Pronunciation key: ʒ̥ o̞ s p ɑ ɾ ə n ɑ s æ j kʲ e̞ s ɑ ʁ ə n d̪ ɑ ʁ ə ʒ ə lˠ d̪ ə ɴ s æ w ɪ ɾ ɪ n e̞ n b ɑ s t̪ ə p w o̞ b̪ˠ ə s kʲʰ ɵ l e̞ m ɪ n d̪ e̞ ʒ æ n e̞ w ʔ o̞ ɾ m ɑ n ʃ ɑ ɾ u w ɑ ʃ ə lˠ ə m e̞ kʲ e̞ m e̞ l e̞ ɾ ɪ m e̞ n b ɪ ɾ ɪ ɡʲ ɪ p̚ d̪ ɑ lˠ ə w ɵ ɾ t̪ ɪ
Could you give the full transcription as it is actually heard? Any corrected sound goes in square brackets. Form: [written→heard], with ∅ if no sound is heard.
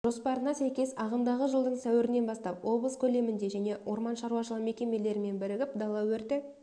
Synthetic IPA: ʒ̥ o̞ s p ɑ ɾ ə n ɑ s æ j kʲ e̞ s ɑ ʁ ə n d̪ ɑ ʁ ə ʒ ə lˠ d̪ ə ɴ s æ w ɪ ɾ ɪ n e̞ n b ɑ s t̪ [ə→ɑ] p w o̞ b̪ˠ ə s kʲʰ ɵ l e̞ m ɪ n d̪ e̞ ʒ æ n e̞ w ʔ o̞ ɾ m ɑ n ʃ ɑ ɾ u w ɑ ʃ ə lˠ ə m e̞ kʲ e̞ m e̞ l e̞ ɾ ɪ m e̞ n b ɪ ɾ ɪ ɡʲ ɪ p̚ d̪ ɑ lˠ [ə→ɑ] w ɵ ɾ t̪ ɪ